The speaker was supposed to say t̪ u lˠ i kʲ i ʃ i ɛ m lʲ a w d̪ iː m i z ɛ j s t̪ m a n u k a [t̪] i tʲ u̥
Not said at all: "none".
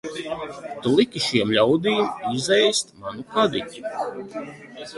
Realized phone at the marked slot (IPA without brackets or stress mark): d̪